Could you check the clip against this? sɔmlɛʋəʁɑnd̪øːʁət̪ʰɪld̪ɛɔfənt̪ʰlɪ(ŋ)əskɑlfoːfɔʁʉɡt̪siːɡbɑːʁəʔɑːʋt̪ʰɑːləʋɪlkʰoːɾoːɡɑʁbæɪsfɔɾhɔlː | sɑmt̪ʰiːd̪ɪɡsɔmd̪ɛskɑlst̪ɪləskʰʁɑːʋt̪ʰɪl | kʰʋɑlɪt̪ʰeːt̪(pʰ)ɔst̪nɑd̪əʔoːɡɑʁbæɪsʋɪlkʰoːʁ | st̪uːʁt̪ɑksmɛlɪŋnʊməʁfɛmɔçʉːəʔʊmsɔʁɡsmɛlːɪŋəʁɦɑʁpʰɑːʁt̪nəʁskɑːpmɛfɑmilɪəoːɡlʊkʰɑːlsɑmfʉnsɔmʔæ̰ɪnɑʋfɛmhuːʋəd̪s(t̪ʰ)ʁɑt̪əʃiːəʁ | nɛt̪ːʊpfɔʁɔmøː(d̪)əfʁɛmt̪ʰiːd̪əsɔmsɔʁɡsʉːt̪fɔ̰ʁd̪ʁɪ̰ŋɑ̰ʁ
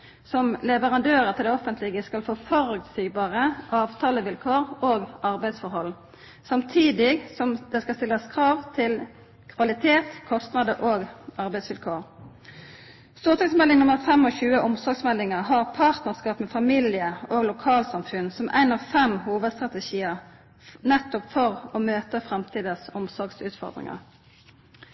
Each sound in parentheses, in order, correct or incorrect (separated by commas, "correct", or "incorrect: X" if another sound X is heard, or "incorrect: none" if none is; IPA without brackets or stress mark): incorrect: ɡ, incorrect: kʰ, incorrect: t̪, incorrect: t̪